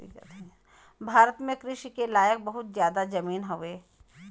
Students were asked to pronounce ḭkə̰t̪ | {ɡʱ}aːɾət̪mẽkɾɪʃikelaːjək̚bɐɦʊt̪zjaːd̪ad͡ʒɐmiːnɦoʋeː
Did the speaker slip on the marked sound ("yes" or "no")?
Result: yes